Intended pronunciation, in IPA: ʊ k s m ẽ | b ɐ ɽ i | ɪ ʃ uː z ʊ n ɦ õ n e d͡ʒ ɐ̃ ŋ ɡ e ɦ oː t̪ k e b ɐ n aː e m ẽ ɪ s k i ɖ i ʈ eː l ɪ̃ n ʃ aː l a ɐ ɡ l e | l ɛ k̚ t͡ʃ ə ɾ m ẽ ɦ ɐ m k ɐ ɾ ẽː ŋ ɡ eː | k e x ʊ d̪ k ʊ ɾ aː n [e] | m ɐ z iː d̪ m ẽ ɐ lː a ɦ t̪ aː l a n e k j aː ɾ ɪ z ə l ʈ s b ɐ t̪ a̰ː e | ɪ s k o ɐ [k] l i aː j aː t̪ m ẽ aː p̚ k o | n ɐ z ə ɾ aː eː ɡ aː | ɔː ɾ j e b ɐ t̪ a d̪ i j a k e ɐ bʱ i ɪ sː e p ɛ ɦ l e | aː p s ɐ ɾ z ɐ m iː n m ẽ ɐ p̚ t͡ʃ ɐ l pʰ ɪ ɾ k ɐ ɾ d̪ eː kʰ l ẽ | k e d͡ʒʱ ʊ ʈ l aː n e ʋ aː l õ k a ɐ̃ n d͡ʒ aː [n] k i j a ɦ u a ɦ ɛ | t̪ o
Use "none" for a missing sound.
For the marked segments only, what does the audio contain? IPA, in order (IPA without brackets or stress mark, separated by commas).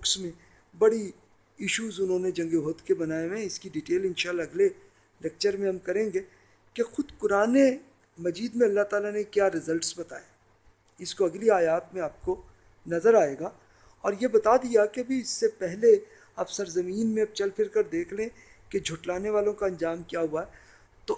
e, ɡ, m